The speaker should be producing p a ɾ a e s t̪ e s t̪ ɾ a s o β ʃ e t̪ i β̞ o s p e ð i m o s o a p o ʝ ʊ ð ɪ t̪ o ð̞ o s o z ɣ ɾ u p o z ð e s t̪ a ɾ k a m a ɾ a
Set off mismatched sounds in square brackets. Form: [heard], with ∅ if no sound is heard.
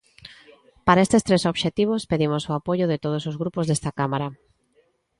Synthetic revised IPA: p a ɾ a e s t̪ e s t̪ ɾ [e] s o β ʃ e t̪ i β̞ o s p e ð i m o s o a p o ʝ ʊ ð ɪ t̪ o ð̞ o s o z ɣ ɾ u p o z ð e s t̪ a [∅] k a m a ɾ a